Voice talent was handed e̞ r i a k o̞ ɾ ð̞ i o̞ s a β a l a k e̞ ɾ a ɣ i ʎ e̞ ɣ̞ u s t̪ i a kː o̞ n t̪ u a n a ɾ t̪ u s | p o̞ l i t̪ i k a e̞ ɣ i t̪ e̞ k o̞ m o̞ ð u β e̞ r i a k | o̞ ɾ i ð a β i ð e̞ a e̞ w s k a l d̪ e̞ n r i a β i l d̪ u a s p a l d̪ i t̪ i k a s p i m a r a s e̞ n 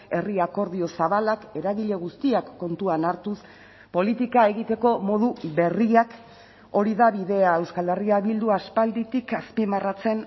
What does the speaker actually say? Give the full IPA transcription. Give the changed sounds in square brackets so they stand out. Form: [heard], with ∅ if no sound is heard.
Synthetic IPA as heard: e̞ r i a k o̞ ɾ ð̞ i o̞ s a β a l a k e̞ ɾ a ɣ i ʎ e̞ ɣ̞ u s t̪ i a kː o̞ n t̪ u a n a ɾ t̪ u s | p o̞ l i t̪ i k a e̞ ɣ i t̪ e̞ k o̞ m o̞ ð u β e̞ r i a k | o̞ ɾ i ð a β i ð e̞ a e̞ w s k a l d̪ e̞ [∅] r i a β i l d̪ u a s p a l d̪ i t̪ i k a s p i m a r a [t͡s] e̞ n